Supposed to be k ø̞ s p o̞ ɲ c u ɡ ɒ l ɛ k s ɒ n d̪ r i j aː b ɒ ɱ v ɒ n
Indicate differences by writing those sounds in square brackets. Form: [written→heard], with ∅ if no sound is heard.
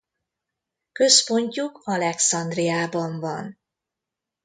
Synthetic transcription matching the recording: k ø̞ s p o̞ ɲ c u [ɡ→k] ɒ l ɛ k s ɒ n d̪ r i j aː b ɒ ɱ v ɒ n